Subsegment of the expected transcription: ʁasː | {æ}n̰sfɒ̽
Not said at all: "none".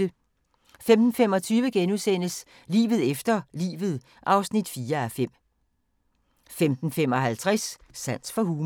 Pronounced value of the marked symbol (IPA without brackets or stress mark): æ